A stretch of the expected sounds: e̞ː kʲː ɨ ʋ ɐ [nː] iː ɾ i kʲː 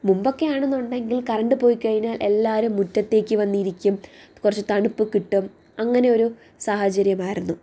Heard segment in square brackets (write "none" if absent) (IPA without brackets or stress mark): nː